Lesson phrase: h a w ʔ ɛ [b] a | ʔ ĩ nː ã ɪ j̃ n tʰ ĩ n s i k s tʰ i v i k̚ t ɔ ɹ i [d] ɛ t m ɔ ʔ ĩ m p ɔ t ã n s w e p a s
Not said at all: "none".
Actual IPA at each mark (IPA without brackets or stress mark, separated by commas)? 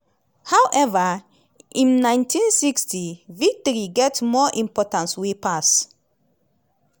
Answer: v, ɡ